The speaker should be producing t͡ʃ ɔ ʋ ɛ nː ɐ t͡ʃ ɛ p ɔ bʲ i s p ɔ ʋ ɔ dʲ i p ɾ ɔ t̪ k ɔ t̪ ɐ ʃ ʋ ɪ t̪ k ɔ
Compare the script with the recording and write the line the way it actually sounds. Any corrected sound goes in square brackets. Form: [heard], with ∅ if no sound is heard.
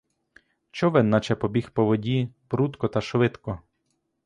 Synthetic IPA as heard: t͡ʃ ɔ ʋ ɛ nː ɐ t͡ʃ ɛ p ɔ bʲ i [x] p ɔ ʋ ɔ dʲ i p ɾ [u] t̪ k ɔ t̪ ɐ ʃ ʋ ɪ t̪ k ɔ